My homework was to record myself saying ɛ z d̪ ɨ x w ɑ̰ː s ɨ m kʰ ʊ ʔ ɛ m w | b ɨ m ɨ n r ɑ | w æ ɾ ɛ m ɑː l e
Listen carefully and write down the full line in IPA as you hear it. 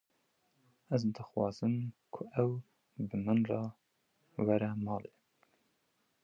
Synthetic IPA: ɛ z d̪ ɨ x w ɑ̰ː z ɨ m kʰ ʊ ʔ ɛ w | b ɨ m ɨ n r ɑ | w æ ɾ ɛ m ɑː l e